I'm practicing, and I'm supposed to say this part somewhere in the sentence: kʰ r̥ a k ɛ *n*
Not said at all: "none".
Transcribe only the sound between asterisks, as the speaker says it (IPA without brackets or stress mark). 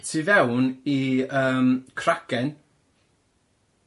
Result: n